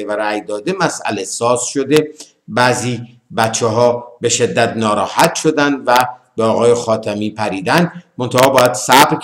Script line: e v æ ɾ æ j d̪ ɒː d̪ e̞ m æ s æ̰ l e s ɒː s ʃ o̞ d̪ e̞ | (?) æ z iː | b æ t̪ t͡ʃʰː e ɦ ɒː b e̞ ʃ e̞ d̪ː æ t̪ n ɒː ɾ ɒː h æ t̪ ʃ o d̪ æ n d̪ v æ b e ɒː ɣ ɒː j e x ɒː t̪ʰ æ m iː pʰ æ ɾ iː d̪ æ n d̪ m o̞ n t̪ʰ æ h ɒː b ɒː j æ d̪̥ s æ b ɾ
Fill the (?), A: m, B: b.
B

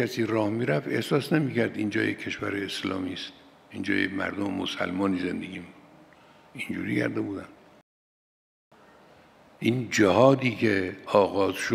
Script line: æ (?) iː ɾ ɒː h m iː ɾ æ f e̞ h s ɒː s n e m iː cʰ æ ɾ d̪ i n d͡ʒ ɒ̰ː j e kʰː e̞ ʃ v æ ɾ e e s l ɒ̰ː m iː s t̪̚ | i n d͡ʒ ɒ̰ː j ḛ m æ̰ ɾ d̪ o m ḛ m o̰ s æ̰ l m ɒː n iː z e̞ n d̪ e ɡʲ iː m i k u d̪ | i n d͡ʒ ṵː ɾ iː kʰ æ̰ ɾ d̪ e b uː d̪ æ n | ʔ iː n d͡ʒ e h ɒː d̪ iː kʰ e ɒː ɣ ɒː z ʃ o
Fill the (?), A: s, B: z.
A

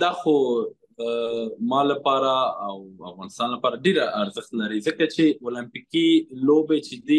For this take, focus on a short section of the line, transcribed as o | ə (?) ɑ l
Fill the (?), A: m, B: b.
A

